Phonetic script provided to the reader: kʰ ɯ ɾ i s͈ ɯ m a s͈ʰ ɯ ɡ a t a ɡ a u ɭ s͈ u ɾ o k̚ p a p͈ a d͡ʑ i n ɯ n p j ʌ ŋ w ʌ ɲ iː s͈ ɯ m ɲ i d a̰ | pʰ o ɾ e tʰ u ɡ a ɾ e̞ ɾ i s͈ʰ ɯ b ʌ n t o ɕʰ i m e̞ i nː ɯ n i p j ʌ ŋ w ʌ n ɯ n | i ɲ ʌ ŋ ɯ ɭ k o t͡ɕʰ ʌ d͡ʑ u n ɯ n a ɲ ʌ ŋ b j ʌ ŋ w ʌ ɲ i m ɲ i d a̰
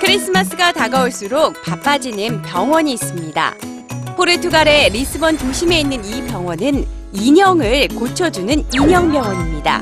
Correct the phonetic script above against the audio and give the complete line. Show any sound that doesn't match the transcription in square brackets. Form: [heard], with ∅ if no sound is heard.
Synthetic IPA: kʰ ɯ ɾ i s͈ ɯ m a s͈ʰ ɯ ɡ a t a ɡ a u ɭ s͈ u ɾ o k̚ p a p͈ a d͡ʑ i n ɯ n p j ʌ ŋ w ʌ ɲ iː s͈ ɯ m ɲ i d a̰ | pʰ o ɾ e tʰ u ɡ a ɾ e̞ ɾ i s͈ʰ ɯ b ʌ n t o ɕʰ i m e̞ i nː ɯ n i p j ʌ ŋ w ʌ n ɯ n | i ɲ ʌ ŋ ɯ ɭ k o t͡ɕʰ ʌ d͡ʑ u n ɯ n [i] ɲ ʌ ŋ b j ʌ ŋ w ʌ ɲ i m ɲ i d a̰